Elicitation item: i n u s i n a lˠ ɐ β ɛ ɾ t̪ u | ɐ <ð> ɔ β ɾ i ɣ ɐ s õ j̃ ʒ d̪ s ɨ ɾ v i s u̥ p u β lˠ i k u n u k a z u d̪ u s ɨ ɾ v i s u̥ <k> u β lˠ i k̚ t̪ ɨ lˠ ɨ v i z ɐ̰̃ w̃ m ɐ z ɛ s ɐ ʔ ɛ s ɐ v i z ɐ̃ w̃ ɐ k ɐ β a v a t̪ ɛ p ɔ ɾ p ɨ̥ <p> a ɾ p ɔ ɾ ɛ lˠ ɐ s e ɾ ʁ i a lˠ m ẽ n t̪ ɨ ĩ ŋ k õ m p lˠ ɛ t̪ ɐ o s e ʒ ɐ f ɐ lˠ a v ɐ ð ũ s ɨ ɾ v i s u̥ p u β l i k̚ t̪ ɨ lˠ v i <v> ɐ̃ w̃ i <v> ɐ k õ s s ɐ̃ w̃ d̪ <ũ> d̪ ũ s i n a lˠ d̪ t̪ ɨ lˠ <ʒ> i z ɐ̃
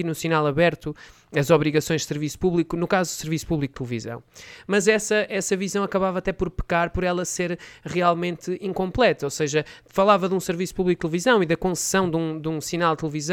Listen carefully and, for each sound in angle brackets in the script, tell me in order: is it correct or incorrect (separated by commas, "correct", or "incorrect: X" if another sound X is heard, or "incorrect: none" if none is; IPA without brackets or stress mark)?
incorrect: z, incorrect: p, incorrect: k, incorrect: z, incorrect: ð, correct, incorrect: v